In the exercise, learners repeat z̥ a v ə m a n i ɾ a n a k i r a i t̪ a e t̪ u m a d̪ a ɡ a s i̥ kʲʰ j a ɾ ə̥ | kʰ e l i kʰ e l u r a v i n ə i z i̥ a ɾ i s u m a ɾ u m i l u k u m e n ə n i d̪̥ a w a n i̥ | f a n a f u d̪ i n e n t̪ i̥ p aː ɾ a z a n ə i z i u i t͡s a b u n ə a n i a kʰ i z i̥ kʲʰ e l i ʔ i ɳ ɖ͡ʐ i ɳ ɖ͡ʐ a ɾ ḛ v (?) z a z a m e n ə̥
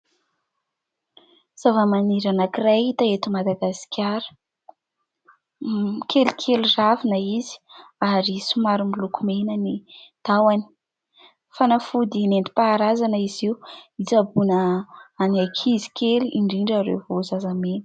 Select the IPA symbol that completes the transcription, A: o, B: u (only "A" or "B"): A